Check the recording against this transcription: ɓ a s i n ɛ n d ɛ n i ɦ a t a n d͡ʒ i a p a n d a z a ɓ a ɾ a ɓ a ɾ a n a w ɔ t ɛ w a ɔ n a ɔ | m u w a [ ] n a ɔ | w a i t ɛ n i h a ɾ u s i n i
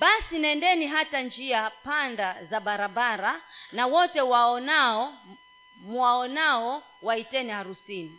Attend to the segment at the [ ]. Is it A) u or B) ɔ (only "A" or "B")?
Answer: B